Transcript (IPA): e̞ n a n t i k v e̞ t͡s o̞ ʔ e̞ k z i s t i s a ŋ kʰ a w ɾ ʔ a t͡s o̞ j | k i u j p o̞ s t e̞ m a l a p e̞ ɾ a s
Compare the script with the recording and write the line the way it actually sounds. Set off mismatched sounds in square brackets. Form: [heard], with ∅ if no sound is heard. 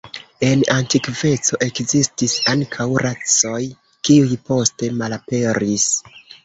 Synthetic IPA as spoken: e̞ n a n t i k v e̞ t͡s o̞ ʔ e̞ k z i s t i s a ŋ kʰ a w ɾ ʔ a t͡s o̞ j | k i u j p o̞ s t e̞ m a l a p e̞ ɾ [i] s

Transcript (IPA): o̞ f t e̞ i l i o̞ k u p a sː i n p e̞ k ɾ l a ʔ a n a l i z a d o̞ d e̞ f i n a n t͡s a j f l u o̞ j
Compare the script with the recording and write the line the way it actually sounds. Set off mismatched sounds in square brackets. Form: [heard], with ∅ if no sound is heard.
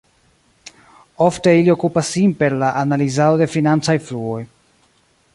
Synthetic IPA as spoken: o̞ f t e̞ i l i o̞ k u p a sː i n p e̞ [∅] ɾ l a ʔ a n a l i z a d o̞ d e̞ f i n a n t͡s a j f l u o̞ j

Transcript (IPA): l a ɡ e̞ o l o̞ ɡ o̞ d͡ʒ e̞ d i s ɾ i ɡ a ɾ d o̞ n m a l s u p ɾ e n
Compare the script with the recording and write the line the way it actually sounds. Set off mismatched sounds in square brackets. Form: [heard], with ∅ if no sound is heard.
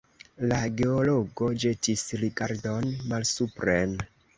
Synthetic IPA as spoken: l a ɡ e̞ o l o̞ ɡ o̞ d͡ʒ e̞ [t] i s ɾ i ɡ a ɾ d o̞ n m a l s u p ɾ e n

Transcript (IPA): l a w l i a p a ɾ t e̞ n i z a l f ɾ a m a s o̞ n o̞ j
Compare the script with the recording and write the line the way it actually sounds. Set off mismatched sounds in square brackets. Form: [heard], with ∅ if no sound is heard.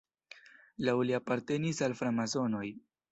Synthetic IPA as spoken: l a w l i a p a ɾ t e̞ n i [s] a l f ɾ a m a [z] o̞ n o̞ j

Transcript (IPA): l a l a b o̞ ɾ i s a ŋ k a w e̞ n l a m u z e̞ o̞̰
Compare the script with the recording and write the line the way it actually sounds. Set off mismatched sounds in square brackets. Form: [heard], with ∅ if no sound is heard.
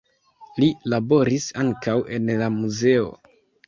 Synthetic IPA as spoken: l [i] l a b o̞ ɾ i s a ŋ k a w e̞ n l a m u z e̞ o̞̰

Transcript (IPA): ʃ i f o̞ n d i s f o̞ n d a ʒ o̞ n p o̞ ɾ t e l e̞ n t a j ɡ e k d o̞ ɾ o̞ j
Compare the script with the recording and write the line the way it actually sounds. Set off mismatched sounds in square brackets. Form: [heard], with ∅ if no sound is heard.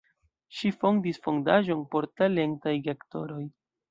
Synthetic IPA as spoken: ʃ i f o̞ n d i s f o̞ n d a ʒ o̞ n p o̞ ɾ t [a] l e̞ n t a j ɡ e k [t] o̞ ɾ o̞ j

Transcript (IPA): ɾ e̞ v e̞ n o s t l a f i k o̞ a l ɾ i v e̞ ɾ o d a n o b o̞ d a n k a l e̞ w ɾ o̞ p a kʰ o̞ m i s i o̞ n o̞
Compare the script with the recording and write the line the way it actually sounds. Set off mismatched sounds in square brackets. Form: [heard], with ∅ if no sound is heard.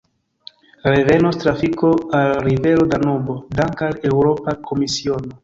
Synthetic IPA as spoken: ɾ e̞ v e̞ n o s t [ɾ] a f i k o̞ a l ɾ i v e̞ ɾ o d a n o b o̞ d a [ŋ] k a l e̞ w ɾ o̞ p a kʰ o̞ m i s i o̞ n o̞

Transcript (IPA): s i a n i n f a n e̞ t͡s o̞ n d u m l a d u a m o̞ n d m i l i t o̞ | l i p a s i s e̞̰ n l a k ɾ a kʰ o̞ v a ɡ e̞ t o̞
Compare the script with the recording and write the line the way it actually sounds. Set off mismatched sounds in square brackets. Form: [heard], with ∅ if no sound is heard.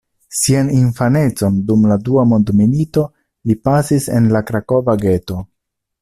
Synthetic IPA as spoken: s i a n i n f a n e̞ t͡s o̞ n d u m l a d u a m o̞ n d m i l i t o̞ | l i p a s i s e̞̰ n l a k ɾ a [k] o̞ v a ɡ e̞ t o̞

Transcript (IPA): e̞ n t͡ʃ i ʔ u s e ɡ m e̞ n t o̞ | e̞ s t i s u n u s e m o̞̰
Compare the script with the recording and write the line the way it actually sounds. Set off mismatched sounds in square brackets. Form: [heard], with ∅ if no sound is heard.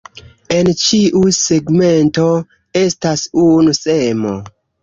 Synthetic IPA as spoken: e̞ n t͡ʃ i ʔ u s e ɡ m e̞ n t o̞ | e̞ s t [a] s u n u s e m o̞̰

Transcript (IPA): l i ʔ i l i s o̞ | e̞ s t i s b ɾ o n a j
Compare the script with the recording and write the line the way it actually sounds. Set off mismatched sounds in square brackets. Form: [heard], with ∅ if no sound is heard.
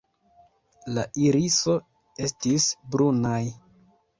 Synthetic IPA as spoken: l [a] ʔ i [ɾ] i s o̞ | e̞ s t i s b ɾ [u] n a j

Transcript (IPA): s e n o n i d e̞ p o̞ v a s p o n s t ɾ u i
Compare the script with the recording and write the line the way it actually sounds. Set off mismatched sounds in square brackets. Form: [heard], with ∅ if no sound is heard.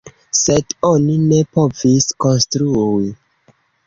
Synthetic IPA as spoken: s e [d] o n i [n] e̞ p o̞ v [i] s [k] o n s t ɾ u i

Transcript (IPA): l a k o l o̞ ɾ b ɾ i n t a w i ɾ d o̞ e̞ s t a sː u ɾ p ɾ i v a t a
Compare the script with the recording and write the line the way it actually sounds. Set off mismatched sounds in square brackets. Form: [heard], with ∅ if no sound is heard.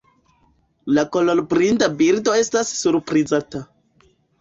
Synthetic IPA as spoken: l a k o l o̞ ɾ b ɾ i n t a [b] i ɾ d o̞ e̞ s t a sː u ɾ p ɾ i [z] a t a

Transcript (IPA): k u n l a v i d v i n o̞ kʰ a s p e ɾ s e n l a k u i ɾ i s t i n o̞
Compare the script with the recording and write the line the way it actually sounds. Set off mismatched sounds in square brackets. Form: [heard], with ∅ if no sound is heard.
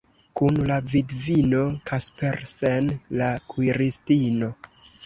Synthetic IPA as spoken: k u n l a v i d v i n o̞ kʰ a s p e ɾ s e n l a k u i ɾ i s t i n o̞

